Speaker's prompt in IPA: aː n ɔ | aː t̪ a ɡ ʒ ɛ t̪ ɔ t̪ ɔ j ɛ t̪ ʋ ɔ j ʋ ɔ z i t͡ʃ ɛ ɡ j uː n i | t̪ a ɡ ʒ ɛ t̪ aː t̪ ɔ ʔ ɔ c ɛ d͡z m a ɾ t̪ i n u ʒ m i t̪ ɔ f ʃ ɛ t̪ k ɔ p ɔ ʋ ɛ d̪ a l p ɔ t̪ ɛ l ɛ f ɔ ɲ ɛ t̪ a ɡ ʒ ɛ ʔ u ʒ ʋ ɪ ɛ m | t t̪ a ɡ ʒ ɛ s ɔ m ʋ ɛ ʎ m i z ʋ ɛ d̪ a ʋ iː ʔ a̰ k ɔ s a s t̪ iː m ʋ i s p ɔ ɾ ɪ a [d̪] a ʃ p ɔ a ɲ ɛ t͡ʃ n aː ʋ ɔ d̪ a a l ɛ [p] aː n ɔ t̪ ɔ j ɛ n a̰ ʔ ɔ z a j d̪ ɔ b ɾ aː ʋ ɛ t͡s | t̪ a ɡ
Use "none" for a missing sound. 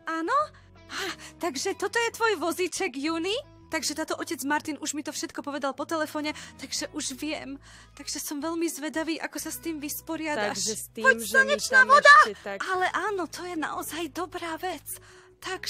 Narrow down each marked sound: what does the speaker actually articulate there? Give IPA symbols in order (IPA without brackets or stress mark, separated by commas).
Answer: d̪, ʔ